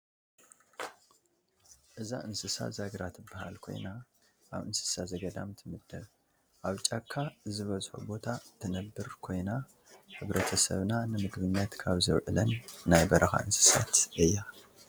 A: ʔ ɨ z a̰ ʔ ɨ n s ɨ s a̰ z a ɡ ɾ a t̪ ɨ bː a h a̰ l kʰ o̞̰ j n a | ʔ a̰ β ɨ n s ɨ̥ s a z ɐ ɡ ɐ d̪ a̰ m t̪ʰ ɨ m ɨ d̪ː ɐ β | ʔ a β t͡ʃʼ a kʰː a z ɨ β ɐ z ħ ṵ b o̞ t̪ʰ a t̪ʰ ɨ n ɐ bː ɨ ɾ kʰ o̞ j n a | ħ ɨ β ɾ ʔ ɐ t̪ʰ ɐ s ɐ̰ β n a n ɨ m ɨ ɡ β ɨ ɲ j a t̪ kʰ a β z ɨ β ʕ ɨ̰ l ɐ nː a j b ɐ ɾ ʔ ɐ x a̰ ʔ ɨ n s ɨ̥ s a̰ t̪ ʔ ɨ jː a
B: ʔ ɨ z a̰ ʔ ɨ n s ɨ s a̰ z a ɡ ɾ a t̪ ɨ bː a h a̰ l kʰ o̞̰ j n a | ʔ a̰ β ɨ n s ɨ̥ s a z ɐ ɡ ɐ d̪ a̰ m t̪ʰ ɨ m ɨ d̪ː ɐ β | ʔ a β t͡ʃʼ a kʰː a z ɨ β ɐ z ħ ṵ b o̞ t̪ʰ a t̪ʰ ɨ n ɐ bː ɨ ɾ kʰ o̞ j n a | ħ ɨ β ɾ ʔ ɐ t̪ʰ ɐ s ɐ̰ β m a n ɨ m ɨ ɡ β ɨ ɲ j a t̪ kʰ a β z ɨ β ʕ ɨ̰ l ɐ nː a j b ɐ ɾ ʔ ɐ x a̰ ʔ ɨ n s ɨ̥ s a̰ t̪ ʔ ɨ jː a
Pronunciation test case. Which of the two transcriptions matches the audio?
A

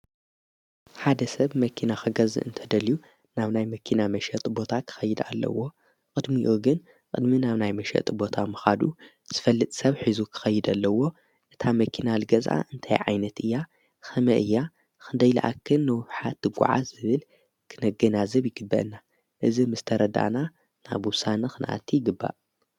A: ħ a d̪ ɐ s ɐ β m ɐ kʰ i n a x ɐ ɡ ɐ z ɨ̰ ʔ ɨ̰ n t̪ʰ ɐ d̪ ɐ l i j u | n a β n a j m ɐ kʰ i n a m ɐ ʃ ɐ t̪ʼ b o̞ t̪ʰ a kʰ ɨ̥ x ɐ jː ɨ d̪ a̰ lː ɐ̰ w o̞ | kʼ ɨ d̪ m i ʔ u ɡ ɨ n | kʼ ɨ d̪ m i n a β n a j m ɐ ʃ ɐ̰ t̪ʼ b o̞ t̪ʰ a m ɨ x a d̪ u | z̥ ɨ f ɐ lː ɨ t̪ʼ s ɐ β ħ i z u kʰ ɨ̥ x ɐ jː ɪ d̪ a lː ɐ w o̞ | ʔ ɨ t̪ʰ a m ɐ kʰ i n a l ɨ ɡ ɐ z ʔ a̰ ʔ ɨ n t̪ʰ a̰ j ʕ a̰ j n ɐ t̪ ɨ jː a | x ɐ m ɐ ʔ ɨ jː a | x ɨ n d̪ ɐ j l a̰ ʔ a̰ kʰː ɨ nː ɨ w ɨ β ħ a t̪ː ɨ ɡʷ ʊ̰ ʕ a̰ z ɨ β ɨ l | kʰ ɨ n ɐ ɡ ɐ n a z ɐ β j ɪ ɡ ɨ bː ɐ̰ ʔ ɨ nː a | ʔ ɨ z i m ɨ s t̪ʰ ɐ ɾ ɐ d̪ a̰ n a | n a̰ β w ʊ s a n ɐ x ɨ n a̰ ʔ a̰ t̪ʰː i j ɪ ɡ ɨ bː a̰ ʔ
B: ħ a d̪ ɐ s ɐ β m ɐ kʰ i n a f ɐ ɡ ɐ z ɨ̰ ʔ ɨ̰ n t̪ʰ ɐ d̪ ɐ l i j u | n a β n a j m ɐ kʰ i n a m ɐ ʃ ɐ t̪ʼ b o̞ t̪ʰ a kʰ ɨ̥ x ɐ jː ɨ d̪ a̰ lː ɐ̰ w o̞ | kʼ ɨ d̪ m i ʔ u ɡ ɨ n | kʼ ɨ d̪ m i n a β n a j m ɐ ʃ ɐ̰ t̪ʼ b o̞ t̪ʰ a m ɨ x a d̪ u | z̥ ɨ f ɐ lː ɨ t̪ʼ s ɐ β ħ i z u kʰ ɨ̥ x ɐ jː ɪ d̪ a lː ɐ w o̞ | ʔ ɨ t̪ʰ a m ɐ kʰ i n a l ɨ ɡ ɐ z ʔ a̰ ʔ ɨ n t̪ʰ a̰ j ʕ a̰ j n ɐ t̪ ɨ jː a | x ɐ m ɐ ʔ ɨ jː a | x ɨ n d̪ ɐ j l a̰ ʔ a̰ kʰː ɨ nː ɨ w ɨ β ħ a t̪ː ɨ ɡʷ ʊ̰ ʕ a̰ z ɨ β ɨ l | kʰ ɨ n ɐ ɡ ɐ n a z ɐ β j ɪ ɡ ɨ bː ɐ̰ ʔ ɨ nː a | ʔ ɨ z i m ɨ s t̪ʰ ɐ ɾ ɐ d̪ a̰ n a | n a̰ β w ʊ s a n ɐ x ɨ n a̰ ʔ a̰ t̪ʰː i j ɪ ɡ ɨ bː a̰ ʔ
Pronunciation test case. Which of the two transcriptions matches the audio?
A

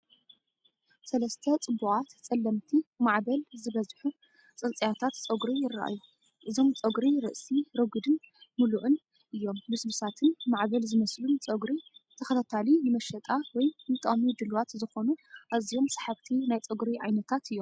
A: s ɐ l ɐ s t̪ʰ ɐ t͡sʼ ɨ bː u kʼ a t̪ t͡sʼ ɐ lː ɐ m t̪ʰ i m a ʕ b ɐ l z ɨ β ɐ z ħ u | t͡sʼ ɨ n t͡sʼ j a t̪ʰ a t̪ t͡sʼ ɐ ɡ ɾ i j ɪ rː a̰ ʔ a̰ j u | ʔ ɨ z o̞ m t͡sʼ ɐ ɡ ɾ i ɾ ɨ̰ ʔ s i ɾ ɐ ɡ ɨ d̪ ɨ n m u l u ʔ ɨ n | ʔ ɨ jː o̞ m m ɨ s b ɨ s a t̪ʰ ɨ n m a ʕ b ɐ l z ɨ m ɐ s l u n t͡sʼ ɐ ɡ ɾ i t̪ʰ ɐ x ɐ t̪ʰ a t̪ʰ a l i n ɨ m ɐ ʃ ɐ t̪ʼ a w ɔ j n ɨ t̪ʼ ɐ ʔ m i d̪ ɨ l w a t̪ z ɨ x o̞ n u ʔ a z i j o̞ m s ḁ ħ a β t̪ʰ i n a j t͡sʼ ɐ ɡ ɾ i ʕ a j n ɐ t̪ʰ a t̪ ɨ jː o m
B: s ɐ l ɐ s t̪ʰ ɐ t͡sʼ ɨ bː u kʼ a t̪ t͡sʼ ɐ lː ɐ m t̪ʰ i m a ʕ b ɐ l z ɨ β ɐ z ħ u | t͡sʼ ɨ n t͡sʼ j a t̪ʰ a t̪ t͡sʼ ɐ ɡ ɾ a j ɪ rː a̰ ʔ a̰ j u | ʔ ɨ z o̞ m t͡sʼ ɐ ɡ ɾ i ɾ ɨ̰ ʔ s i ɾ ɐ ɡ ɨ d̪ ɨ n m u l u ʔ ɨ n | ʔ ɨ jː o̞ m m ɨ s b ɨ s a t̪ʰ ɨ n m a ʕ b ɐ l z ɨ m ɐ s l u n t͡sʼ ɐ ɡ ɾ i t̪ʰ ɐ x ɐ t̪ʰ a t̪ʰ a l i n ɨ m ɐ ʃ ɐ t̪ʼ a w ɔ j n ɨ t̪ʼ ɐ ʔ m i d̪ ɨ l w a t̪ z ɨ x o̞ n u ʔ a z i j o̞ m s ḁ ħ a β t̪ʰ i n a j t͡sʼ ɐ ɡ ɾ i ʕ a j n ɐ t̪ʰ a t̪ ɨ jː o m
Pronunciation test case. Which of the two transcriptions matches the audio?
A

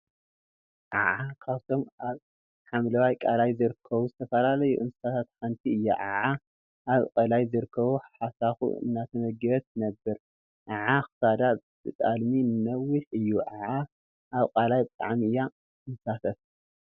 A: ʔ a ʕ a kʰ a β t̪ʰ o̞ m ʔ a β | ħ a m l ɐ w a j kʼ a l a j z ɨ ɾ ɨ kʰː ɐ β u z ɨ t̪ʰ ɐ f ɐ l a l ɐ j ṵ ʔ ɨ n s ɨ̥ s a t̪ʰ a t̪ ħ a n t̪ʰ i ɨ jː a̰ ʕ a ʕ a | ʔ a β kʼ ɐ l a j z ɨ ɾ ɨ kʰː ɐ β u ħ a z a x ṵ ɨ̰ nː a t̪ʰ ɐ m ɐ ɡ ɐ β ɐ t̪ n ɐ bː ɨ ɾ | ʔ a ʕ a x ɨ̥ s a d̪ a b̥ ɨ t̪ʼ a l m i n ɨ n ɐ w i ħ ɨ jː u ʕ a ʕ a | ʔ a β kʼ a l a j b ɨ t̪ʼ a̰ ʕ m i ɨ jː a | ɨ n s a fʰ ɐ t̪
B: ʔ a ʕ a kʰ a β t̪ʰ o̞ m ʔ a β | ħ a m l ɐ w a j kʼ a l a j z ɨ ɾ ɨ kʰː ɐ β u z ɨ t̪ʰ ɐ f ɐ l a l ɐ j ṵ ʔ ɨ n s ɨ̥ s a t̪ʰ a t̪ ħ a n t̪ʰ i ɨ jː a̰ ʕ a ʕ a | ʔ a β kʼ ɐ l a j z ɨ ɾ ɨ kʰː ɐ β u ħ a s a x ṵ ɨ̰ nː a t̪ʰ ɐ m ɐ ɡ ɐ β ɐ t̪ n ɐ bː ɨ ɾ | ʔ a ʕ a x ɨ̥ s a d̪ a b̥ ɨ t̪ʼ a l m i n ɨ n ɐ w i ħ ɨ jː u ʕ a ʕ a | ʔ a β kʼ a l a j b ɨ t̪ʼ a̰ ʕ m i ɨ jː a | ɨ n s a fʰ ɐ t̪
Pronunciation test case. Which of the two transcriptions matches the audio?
B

